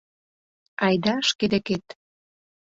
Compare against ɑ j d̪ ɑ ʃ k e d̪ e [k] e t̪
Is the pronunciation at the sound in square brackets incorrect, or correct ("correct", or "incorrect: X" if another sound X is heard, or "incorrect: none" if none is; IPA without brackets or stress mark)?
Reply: correct